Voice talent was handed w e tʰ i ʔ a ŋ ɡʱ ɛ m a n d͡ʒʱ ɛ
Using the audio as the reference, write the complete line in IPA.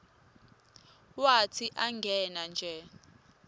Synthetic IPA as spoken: w a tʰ i ʔ a ŋ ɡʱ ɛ n a n d͡ʒʱ ɛ